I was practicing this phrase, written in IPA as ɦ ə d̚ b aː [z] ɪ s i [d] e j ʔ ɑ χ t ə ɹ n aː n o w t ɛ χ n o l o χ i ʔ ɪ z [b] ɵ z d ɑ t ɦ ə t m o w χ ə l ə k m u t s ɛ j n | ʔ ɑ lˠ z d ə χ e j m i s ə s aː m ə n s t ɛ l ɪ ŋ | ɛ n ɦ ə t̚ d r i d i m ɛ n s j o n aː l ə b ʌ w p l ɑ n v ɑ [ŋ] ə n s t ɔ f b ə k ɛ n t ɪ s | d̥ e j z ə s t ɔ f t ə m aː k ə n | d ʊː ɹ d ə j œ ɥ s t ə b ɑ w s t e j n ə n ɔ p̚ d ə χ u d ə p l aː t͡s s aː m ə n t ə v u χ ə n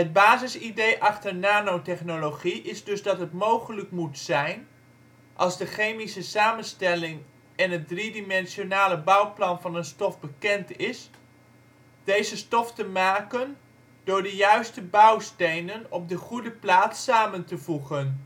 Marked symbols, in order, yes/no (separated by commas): yes, yes, no, no